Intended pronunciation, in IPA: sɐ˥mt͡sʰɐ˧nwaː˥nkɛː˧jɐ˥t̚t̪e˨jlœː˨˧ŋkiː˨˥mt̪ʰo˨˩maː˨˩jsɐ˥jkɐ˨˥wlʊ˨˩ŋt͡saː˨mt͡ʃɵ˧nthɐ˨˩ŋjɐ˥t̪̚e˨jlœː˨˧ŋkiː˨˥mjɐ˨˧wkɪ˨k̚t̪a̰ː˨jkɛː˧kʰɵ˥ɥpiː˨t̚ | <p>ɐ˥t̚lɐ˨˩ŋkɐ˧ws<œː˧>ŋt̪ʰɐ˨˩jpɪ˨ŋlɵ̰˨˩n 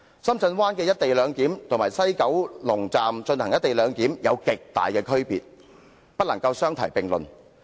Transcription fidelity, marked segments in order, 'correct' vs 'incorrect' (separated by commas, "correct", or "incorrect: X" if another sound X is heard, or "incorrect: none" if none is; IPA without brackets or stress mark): correct, incorrect: œː˥